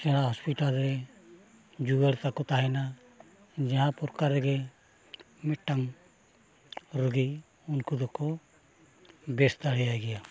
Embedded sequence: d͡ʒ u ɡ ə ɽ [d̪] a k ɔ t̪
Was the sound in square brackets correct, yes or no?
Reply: no